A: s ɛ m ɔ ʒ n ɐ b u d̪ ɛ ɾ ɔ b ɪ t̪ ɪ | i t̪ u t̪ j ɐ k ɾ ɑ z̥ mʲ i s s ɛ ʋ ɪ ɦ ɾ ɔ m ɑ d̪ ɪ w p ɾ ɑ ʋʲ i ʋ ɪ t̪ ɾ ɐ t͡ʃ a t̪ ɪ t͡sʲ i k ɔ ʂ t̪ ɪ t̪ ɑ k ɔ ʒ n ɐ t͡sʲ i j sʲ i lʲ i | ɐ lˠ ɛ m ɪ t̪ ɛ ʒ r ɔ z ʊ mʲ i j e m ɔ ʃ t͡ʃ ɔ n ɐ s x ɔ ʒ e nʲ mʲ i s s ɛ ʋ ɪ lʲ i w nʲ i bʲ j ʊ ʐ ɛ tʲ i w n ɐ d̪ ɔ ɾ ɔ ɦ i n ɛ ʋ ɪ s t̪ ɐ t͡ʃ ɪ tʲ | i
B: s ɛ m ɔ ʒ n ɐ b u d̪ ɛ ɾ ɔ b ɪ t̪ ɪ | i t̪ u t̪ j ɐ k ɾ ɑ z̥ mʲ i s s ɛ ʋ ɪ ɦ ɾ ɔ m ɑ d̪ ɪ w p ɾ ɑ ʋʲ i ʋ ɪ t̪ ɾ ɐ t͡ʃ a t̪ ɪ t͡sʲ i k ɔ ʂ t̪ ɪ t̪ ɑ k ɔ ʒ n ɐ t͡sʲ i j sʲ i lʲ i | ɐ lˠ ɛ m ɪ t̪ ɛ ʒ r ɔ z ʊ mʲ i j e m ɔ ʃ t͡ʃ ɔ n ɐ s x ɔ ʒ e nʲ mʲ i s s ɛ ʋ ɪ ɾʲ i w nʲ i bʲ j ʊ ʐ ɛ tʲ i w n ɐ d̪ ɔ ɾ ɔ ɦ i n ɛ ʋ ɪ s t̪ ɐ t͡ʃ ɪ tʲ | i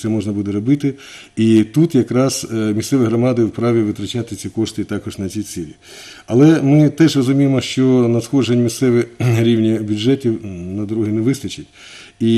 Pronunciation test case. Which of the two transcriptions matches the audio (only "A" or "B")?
B